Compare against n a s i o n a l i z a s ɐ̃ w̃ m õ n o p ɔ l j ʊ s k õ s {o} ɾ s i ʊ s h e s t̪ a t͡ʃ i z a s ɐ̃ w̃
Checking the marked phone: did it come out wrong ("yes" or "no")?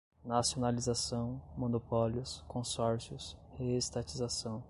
yes